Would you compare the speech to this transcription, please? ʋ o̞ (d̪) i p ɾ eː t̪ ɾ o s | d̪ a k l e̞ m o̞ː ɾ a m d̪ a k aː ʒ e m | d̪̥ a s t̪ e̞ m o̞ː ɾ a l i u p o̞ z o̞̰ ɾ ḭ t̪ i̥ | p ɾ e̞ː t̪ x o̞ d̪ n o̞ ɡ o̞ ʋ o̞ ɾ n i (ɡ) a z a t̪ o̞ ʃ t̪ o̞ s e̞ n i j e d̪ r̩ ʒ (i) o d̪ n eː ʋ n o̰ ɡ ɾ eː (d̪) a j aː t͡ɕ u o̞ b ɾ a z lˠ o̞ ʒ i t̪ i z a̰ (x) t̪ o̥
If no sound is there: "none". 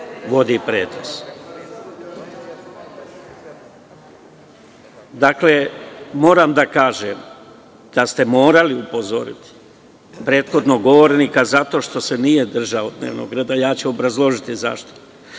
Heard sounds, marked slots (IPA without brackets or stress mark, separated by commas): d̪, k, a, d̪, ʃ